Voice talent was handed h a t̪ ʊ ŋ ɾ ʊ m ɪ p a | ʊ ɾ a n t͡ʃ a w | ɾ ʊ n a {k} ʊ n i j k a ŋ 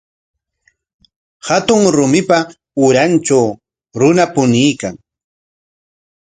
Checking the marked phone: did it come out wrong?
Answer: yes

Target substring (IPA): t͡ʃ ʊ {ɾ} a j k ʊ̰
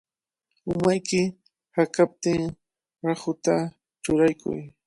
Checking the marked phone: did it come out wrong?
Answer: no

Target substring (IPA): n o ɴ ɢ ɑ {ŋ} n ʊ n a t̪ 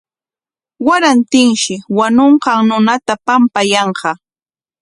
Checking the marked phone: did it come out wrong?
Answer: no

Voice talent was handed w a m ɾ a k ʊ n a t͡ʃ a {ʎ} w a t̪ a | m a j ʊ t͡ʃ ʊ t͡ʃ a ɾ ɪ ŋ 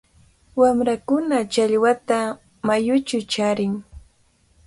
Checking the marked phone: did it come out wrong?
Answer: no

